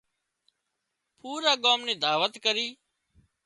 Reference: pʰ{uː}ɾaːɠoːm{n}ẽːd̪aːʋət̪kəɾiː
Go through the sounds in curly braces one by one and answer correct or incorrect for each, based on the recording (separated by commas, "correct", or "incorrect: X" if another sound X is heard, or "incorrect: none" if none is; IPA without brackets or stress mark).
correct, correct